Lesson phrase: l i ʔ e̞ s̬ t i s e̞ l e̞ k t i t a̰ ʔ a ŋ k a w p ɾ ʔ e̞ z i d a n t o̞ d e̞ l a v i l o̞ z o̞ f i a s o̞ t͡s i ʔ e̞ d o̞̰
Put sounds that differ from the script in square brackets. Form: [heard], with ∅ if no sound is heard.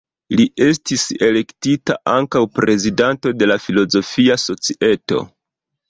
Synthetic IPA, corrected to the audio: l i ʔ e̞ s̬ t i s e̞ l e̞ k t i t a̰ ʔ a ŋ k a w p ɾ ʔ e̞ z i d a n t o̞ d e̞ l a [f] i l o̞ z o̞ f i a s o̞ t͡s i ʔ e̞ [t] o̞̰